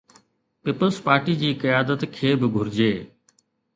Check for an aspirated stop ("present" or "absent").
present